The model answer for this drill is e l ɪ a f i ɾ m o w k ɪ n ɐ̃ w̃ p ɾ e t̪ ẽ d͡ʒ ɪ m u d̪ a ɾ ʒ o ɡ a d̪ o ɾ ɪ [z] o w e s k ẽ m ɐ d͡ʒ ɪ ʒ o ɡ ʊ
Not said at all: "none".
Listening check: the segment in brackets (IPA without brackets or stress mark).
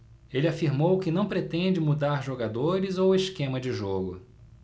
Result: z